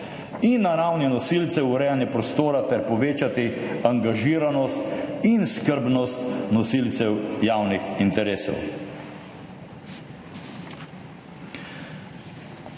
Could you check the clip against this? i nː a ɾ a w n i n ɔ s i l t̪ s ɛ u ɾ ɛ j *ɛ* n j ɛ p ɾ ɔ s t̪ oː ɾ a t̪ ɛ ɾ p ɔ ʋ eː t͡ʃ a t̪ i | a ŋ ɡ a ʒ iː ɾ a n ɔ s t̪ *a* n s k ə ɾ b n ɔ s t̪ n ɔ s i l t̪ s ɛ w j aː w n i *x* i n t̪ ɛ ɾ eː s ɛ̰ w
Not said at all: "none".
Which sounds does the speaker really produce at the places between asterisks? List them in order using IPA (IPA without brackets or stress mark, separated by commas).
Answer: a, i, x